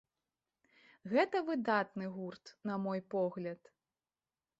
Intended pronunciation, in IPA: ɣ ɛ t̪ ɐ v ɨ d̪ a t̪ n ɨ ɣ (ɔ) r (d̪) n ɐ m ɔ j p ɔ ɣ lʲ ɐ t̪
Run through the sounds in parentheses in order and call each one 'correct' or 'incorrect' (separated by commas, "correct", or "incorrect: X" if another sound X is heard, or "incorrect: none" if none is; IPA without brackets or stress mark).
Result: incorrect: u, incorrect: t̪